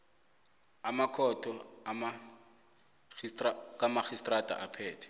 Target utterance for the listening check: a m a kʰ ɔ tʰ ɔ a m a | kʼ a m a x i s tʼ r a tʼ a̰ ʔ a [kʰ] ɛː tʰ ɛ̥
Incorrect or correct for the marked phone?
incorrect: pʰ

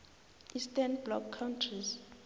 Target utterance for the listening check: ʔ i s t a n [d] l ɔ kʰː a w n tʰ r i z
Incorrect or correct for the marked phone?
incorrect: b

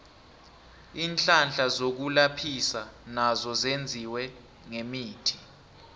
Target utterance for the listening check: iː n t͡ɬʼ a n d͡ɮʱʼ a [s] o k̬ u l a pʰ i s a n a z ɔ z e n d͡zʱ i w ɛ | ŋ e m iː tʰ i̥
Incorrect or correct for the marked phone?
incorrect: z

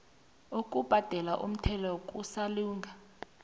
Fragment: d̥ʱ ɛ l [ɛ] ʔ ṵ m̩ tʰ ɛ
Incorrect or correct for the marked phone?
incorrect: a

